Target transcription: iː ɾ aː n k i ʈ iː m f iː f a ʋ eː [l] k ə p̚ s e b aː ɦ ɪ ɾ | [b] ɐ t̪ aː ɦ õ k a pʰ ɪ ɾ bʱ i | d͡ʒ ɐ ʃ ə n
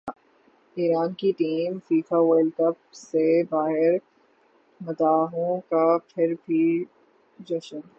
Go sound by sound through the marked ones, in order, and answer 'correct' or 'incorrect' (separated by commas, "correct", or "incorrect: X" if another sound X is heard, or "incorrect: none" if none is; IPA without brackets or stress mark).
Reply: correct, incorrect: m